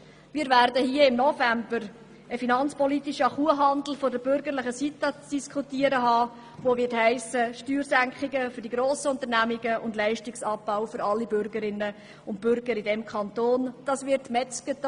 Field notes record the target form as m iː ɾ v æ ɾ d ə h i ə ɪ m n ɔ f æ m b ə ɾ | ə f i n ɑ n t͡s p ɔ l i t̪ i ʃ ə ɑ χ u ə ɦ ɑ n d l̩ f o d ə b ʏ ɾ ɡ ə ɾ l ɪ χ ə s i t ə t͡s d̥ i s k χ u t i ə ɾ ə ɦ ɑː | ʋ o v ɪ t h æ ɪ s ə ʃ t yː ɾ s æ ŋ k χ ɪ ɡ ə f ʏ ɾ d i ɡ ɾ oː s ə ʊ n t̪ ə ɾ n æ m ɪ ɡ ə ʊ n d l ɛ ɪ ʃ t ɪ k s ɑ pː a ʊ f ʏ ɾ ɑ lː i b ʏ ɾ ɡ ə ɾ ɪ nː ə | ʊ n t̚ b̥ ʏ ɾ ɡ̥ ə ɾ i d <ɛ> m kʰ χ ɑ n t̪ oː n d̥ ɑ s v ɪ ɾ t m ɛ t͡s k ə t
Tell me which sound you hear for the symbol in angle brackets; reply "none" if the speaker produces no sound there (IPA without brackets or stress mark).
ɛ